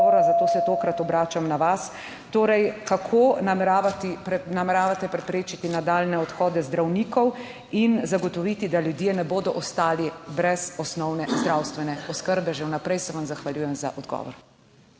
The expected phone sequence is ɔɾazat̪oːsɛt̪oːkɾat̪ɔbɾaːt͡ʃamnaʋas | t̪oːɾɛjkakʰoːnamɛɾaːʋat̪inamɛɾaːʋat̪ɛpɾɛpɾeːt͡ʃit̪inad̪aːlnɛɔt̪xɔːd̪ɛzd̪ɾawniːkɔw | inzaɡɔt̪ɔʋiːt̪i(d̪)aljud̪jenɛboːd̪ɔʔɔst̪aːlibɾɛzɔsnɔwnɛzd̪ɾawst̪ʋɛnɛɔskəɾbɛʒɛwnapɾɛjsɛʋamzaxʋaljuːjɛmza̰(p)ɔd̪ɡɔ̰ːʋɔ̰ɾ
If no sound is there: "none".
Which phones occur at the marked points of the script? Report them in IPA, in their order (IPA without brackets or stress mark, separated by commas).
d̪, ʔ